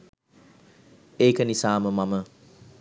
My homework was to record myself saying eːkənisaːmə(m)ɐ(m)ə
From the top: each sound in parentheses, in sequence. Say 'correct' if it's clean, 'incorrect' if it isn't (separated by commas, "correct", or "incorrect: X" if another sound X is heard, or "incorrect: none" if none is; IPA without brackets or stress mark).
correct, correct